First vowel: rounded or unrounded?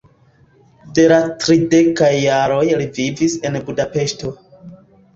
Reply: unrounded